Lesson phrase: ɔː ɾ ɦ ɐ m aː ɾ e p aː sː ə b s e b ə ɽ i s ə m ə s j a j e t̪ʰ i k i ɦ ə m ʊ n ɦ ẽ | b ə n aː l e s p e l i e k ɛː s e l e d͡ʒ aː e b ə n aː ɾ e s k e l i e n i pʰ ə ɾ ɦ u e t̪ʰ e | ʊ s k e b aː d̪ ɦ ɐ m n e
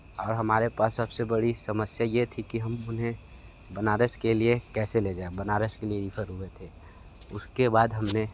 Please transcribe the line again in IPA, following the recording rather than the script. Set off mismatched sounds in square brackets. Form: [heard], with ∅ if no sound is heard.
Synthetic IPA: ɔː ɾ ɦ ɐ m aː ɾ e p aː sː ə b s e b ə ɽ i s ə m ə s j a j e t̪ʰ i k i ɦ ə m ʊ n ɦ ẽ | b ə n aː [ɾ] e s [k] e l i e k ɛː s e l e d͡ʒ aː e b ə n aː ɾ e s k e l i e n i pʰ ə ɾ ɦ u e t̪ʰ e | ʊ s k e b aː d̪ ɦ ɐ m n e

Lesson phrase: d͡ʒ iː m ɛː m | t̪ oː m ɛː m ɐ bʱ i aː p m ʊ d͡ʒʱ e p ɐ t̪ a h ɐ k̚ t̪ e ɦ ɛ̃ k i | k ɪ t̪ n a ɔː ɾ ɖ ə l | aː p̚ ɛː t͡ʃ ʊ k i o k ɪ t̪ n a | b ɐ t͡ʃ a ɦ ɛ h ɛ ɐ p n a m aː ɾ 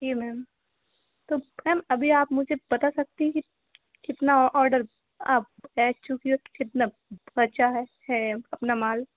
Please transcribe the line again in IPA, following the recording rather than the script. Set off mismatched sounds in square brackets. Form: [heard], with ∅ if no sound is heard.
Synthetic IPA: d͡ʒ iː m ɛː m | t̪ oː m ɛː m ɐ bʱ i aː p m ʊ d͡ʒʱ e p ɐ t̪ a [s] ɐ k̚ t̪ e ɦ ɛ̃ k i | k ɪ t̪ n a ɔː ɾ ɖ ə [ɾ] | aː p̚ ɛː t͡ʃ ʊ k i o k ɪ t̪ n a | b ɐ t͡ʃ a ɦ ɛ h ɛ ɐ p n a m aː [l]

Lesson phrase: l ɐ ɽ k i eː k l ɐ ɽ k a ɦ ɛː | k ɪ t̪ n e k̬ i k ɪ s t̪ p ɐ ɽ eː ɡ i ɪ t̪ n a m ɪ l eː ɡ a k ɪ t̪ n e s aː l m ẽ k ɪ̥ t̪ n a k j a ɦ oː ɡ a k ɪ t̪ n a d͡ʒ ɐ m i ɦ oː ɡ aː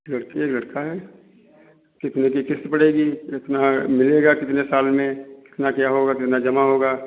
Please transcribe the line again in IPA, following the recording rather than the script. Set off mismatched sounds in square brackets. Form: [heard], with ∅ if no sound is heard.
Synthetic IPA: l ɐ ɽ k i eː k l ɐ ɽ k a ɦ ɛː | k ɪ t̪ n e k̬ i k ɪ s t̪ p ɐ ɽ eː ɡ i ɪ t̪ n a m ɪ l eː ɡ a k ɪ t̪ n e s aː l m ẽ k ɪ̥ t̪ n a k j a ɦ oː ɡ a k ɪ t̪ n a d͡ʒ ɐ m [a] ɦ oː ɡ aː

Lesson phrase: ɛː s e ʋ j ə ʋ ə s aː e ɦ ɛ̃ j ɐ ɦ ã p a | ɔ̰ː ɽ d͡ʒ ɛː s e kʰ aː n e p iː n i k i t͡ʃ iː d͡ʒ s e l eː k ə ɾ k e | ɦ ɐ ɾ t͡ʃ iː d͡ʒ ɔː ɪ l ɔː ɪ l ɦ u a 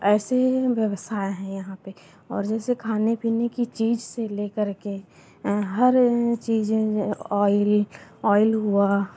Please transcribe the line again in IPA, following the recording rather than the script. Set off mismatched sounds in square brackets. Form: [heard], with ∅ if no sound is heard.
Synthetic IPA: ɛː s e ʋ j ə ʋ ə s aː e ɦ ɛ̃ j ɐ ɦ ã p [e] | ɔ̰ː [ɾ] d͡ʒ ɛː s e kʰ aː n e p iː n [e] k i t͡ʃ iː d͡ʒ s e l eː k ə ɾ k e | ɦ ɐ ɾ t͡ʃ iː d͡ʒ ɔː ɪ l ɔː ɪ l ɦ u a

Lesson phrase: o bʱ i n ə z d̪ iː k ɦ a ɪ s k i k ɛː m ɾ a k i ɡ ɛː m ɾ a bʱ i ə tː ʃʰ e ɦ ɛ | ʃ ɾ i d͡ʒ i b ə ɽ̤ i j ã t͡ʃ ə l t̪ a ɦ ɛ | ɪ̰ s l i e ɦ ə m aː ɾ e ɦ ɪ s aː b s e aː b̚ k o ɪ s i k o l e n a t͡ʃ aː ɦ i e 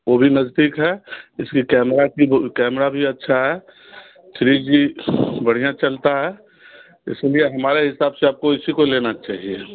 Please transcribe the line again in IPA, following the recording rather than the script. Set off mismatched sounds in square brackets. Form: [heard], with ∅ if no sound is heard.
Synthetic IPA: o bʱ i n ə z d̪ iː k ɦ [ɛ] ɪ s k i k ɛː m ɾ a k i [k] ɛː m ɾ a bʱ i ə tː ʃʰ [a] ɦ ɛ | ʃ ɾ i d͡ʒ i b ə ɽ̤ i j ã t͡ʃ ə l t̪ a ɦ ɛ | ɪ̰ s l i e ɦ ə m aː ɾ e ɦ ɪ s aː b s e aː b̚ k o ɪ s i k o l e n a t͡ʃ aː ɦ i e

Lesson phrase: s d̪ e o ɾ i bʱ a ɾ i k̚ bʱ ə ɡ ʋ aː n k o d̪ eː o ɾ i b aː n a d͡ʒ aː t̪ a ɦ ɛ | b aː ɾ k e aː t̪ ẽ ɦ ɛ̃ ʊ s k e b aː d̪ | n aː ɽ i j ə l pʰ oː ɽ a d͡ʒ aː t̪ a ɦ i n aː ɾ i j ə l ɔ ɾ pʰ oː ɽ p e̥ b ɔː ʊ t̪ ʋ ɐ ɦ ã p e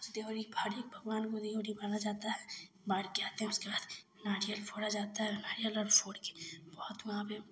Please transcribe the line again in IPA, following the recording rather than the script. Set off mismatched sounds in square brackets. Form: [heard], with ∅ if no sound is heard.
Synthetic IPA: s d̪ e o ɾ i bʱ a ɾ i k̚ bʱ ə ɡ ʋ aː n k o d̪ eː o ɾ i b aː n a d͡ʒ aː t̪ a ɦ ɛ | b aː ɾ k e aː t̪ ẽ ɦ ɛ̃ ʊ s k e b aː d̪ | n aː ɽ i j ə l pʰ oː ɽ a d͡ʒ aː t̪ a ɦ [ɛ] n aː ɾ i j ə l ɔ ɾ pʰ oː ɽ [k] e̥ b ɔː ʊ t̪ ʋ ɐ ɦ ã p e

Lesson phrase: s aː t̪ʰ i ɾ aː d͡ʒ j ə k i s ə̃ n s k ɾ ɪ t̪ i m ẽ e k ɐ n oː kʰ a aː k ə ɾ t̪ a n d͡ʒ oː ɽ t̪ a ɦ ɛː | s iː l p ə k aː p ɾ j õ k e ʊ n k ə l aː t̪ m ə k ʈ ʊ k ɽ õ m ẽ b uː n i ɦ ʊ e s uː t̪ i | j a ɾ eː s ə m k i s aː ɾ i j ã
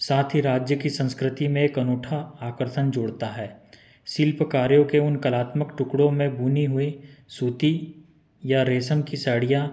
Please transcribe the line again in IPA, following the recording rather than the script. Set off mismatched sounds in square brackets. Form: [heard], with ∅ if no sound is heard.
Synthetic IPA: s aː t̪ʰ i ɾ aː d͡ʒ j ə k i s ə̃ n s k ɾ ɪ t̪ i m ẽ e k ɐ n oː [ʈʰ] a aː k ə ɾ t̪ [ə] n d͡ʒ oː ɽ t̪ a ɦ ɛː | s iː l p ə k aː [∅] ɾ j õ k e ʊ n k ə l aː t̪ m ə k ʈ ʊ k ɽ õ m ẽ b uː n i ɦ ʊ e s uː t̪ i | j a ɾ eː s ə m k i s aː [ɽ] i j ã

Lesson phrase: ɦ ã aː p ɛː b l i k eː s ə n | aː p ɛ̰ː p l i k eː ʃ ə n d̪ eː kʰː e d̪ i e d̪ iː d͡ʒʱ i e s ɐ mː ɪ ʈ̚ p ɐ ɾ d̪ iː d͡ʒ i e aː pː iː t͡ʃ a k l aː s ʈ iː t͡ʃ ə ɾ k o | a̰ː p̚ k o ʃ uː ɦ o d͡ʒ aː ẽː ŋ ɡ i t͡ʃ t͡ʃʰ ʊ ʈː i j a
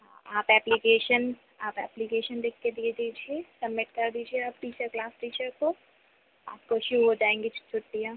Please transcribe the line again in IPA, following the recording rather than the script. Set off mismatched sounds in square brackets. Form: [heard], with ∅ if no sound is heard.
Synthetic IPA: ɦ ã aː p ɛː [p] l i k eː [ʃ] ə n | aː p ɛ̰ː p l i k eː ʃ ə n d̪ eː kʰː e d̪ i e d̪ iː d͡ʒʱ i e s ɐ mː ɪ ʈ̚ [k] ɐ ɾ d̪ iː d͡ʒ i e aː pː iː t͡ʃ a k l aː s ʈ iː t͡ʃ ə ɾ k o | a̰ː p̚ k o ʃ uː ɦ o d͡ʒ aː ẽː ŋ ɡ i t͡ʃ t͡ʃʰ ʊ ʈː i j a

